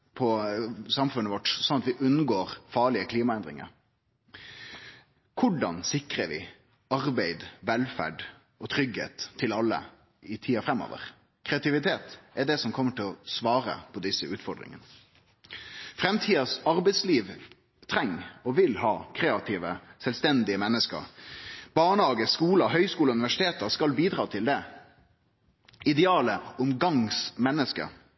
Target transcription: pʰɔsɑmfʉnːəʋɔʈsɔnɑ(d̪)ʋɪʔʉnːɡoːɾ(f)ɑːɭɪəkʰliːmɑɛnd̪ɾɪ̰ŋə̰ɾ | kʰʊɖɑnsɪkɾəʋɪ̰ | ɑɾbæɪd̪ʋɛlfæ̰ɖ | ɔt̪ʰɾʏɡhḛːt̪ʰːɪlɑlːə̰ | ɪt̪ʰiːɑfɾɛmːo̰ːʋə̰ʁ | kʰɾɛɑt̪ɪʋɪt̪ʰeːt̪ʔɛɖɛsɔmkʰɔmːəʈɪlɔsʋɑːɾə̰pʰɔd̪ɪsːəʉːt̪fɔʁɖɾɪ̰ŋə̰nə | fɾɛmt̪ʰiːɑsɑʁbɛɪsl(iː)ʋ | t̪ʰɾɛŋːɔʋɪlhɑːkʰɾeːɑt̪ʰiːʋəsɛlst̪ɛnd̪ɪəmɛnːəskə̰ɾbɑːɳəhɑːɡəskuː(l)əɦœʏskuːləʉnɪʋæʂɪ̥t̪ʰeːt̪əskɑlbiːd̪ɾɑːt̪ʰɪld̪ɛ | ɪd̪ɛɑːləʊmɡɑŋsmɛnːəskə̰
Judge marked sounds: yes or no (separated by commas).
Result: no, yes, yes, yes